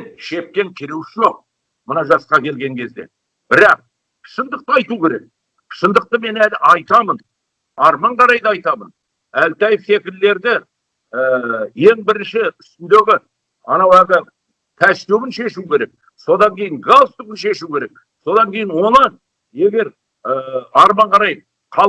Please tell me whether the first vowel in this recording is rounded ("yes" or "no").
no